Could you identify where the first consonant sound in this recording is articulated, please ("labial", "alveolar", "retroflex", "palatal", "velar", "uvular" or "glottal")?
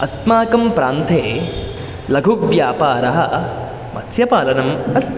alveolar